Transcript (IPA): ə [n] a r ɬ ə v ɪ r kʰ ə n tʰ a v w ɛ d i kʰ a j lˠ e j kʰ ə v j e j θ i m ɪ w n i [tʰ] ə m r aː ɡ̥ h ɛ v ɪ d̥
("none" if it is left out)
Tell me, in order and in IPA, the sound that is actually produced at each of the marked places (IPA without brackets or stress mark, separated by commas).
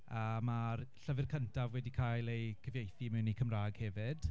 m, kʰ